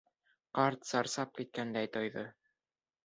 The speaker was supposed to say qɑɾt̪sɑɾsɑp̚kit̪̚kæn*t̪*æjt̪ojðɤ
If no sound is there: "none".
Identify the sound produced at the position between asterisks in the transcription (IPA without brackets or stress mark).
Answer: d̪